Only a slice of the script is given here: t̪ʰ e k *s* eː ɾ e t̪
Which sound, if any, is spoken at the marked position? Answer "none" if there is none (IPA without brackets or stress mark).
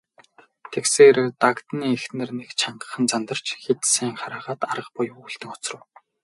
s